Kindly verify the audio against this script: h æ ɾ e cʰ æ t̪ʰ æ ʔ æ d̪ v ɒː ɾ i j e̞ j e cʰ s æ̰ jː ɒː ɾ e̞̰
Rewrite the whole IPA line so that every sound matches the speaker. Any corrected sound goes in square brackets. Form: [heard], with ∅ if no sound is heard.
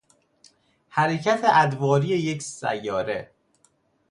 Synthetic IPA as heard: h æ ɾ e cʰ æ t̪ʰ [e] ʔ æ d̪ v ɒː ɾ i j e̞ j e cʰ s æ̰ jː ɒː ɾ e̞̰